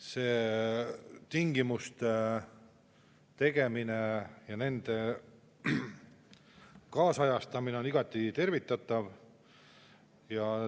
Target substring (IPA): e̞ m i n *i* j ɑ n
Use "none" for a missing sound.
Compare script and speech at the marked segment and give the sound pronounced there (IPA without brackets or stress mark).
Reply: e